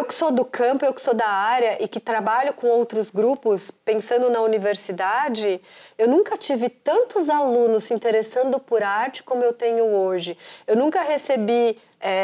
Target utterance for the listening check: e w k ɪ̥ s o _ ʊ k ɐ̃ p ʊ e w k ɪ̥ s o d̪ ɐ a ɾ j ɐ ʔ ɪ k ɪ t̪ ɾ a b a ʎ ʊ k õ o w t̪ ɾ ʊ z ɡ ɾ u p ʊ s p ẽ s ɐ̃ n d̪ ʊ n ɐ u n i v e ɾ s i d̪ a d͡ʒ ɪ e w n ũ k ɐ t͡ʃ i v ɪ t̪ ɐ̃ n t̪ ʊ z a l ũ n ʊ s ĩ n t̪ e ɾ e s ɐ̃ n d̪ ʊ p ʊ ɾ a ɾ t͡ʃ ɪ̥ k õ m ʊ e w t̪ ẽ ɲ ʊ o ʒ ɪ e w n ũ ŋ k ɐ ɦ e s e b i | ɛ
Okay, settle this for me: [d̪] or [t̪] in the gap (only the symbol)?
d̪